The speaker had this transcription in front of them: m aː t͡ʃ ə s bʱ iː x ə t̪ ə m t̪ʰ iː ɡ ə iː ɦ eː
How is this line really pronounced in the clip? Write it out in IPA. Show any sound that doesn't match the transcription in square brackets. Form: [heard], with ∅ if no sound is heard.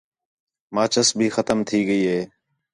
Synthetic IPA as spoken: m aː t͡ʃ ə s bʱ iː x ə t̪ ə m t̪ʰ iː ɡ ə iː ɦ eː